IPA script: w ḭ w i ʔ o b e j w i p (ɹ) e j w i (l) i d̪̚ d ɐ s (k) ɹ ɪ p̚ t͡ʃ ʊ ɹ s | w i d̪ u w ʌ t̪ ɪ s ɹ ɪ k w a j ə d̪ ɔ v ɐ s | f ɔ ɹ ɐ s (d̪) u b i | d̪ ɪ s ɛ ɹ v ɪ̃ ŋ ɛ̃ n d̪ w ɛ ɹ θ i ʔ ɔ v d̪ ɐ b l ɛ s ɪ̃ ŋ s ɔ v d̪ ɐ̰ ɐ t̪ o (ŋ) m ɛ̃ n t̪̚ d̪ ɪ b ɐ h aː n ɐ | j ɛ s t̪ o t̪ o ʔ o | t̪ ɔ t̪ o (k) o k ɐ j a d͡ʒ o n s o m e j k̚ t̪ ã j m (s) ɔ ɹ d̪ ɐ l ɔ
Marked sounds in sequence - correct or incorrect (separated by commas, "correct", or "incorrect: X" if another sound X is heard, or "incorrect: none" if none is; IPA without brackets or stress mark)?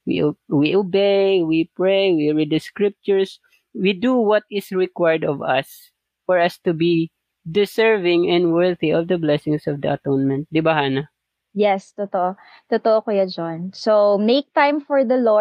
correct, incorrect: ɹ, correct, incorrect: t̪, incorrect: n, incorrect: ʔ, incorrect: f